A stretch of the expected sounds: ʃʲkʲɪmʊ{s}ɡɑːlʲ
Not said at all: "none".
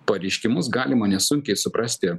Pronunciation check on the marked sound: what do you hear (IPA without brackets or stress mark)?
s